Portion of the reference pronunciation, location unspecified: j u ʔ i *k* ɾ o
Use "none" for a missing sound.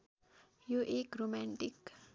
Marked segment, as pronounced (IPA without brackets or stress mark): k